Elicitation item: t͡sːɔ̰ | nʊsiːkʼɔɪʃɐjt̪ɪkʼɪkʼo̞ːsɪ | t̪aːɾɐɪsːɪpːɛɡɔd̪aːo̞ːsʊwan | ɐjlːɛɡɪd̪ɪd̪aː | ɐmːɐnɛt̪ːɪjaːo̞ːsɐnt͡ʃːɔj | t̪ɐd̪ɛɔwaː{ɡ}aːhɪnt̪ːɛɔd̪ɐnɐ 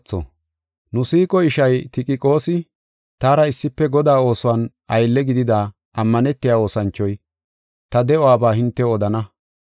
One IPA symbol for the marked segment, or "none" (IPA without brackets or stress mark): b